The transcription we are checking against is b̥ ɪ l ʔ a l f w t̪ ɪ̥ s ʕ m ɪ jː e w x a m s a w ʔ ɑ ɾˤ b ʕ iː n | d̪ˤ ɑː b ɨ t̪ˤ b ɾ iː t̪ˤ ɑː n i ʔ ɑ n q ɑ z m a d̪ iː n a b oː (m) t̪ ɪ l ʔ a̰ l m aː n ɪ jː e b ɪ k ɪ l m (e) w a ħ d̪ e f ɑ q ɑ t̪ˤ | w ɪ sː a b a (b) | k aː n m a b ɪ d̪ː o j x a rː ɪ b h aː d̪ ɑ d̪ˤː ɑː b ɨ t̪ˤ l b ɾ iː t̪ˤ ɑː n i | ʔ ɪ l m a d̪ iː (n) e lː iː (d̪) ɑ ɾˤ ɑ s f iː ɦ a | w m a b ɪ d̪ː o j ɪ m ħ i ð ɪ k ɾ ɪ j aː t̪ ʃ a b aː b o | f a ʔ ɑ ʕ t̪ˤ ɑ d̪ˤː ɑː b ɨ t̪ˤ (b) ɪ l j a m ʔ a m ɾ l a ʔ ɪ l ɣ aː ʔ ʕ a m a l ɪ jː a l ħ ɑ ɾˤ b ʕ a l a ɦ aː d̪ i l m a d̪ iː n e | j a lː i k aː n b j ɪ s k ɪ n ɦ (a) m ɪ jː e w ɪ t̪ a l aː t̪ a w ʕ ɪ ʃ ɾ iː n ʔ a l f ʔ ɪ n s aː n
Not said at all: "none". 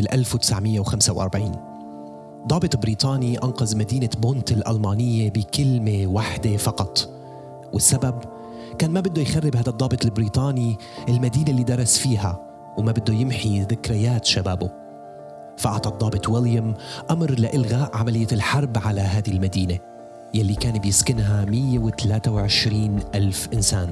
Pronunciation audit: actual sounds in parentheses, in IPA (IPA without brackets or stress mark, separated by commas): n, e, b, n, d̪, w, a